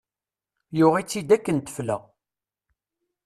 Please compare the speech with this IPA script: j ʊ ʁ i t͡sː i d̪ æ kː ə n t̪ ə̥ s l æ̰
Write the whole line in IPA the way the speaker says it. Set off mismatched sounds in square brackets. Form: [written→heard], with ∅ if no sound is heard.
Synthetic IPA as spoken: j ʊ ʁ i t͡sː i d̪ æ kː ə n t̪ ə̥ [s→f] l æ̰